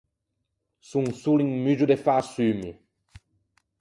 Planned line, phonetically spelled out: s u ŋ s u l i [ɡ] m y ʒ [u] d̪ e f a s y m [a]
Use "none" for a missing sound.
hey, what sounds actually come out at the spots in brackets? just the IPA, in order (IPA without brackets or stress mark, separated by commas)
ŋ, u, i